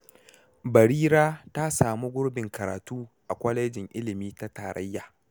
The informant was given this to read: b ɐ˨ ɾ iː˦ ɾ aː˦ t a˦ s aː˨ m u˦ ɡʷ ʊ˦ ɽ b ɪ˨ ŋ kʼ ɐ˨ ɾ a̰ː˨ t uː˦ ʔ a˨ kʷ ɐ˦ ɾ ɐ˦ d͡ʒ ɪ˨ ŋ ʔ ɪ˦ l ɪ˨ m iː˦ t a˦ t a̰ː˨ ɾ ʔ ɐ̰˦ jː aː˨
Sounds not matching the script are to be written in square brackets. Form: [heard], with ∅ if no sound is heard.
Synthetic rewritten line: b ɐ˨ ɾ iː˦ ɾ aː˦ t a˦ s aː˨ m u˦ ɡʷ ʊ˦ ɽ b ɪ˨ ŋ [k] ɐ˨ ɾ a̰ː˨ t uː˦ ʔ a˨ kʷ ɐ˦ [l] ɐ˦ d͡ʒ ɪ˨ ŋ ʔ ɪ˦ l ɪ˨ m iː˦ t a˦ t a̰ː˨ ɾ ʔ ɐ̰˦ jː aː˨